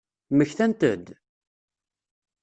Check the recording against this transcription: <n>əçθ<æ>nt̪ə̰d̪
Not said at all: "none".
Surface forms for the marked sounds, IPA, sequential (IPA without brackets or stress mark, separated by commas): m, æ